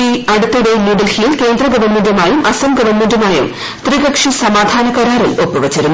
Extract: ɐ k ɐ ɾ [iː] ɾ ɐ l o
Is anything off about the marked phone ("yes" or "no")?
yes